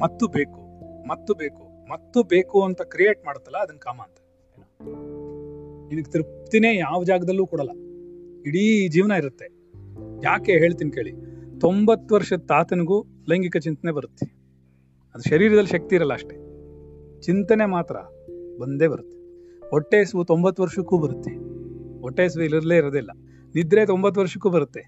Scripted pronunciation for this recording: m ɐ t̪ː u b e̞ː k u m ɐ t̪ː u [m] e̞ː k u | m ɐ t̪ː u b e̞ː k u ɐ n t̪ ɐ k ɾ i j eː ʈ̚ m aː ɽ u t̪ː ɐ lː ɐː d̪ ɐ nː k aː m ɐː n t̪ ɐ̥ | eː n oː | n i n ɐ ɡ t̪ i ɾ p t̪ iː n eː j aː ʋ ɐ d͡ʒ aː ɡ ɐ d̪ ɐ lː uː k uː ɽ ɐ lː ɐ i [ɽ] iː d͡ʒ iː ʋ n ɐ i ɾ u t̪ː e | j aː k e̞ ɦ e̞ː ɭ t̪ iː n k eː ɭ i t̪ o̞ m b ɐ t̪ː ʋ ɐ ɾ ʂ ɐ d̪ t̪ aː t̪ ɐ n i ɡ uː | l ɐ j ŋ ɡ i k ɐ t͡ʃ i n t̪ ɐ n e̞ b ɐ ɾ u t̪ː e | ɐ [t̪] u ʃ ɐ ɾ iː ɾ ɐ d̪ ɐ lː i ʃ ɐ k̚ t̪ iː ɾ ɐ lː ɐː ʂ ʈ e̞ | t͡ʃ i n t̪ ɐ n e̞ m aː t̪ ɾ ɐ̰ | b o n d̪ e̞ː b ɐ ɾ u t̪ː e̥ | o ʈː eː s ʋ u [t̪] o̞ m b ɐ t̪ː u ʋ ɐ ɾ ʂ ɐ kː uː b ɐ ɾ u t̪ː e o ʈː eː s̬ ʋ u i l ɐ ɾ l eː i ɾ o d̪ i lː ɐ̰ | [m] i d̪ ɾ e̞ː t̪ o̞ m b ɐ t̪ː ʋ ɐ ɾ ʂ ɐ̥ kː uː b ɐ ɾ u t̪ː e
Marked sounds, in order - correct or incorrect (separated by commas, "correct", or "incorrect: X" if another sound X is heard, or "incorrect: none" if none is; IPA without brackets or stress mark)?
incorrect: b, correct, incorrect: d̪, correct, incorrect: n